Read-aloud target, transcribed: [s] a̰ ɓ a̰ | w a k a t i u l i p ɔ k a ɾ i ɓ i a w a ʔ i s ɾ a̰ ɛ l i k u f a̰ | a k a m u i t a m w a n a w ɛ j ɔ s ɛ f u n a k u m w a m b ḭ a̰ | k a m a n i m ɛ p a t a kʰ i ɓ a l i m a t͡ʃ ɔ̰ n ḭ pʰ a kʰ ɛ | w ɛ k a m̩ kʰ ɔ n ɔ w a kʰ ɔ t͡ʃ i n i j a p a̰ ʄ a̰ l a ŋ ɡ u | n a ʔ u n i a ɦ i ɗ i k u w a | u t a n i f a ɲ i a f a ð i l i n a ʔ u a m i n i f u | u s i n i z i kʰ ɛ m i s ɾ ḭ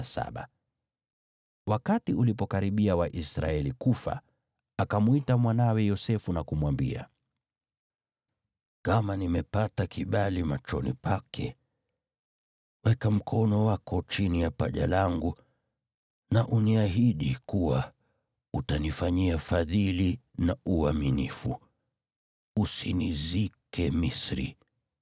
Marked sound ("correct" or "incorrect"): correct